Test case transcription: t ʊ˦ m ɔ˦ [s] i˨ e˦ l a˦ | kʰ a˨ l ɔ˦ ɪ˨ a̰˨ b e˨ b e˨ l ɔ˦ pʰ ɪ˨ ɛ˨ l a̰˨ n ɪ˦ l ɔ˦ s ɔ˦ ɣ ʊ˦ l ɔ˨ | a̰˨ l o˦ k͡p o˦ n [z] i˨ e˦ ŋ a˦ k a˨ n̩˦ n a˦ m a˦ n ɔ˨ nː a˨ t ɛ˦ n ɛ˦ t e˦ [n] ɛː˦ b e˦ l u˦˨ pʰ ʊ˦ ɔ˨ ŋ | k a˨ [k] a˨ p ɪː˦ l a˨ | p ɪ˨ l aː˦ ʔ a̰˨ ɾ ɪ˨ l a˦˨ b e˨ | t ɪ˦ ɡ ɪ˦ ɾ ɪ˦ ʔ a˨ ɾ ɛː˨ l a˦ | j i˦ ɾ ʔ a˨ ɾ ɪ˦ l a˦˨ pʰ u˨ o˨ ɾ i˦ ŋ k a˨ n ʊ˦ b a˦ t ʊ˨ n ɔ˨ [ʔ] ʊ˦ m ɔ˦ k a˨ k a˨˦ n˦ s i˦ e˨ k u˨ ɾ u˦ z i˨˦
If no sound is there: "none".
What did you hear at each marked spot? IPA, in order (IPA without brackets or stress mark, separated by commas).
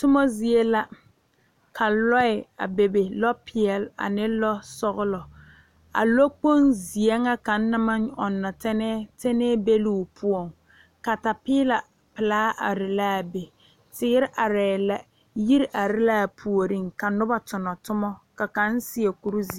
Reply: z, z, n, t, t